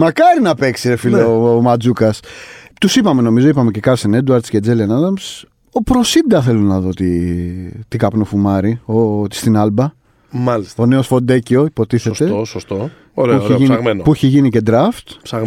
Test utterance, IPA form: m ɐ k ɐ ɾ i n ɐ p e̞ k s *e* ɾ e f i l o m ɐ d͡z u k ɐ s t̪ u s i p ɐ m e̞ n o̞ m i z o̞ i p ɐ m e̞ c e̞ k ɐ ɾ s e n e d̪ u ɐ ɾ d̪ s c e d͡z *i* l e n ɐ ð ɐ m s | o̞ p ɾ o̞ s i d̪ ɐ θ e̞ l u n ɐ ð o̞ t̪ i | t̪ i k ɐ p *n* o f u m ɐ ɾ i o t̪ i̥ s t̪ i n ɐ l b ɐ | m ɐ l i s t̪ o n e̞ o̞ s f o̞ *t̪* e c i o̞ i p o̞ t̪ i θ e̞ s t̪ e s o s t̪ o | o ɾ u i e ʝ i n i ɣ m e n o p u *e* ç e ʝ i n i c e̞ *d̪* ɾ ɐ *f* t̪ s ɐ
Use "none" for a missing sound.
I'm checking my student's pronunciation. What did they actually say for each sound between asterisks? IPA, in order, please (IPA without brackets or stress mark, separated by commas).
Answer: i, e, n, d̪, i, d̪, f